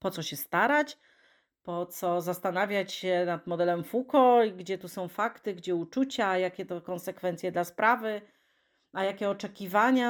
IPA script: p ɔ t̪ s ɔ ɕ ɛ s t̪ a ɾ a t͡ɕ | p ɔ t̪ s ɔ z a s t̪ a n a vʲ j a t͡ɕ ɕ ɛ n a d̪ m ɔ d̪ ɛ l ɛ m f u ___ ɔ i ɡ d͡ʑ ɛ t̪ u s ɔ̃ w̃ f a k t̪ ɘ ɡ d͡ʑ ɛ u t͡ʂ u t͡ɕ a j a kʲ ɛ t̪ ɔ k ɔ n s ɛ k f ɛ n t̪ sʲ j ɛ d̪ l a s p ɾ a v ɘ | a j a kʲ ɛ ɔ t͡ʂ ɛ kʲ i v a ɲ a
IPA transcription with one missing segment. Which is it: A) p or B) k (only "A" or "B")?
B